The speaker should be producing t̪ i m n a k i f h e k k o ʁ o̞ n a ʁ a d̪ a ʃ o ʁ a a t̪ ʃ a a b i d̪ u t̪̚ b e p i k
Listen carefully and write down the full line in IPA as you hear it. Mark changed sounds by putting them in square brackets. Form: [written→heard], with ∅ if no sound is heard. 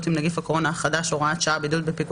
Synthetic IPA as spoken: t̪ i m n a [k→ɡ] i f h [e→a] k k o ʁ o̞ n a [ʁ→χ] a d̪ a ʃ o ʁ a a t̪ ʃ a a b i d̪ u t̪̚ b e p i k